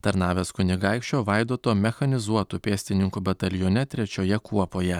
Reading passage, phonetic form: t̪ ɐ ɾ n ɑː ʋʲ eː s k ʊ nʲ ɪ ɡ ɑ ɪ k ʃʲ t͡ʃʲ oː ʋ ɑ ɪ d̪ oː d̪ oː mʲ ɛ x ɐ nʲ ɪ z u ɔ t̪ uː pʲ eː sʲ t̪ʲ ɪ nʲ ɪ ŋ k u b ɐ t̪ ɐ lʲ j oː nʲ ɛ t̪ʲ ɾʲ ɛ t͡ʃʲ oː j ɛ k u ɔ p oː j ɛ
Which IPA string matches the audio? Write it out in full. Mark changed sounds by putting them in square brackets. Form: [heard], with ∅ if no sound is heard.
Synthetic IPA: t̪ ɐ ɾ n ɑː ʋʲ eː s k ʊ nʲ ɪ ɡ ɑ ɪ k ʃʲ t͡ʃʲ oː ʋ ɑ ɪ d̪ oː [t̪] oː mʲ ɛ x ɐ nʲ ɪ z u ɔ t̪ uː pʲ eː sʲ t̪ʲ ɪ nʲ ɪ ŋ k u b ɐ t̪ ɐ lʲ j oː nʲ ɛ t̪ʲ ɾʲ ɛ t͡ʃʲ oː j ɛ k u ɔ p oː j ɛ